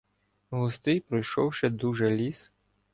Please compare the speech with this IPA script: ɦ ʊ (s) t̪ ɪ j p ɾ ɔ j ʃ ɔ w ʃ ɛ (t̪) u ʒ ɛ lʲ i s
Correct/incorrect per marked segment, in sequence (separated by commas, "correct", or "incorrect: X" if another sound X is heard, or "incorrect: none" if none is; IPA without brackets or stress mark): correct, incorrect: d̪